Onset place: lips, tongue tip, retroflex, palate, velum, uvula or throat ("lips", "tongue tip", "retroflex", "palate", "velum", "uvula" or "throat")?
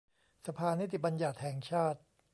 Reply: tongue tip